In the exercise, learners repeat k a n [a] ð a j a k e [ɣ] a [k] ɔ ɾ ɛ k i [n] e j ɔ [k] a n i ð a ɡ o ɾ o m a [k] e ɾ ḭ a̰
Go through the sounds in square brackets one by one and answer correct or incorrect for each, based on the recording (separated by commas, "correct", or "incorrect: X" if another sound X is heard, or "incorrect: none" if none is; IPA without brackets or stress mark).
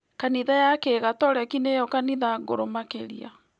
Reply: incorrect: i, correct, incorrect: t, correct, correct, correct